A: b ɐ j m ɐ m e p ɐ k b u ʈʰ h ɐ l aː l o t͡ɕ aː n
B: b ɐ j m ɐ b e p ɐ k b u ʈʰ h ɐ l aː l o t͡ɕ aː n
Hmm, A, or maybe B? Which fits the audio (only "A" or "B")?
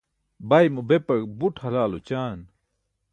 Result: B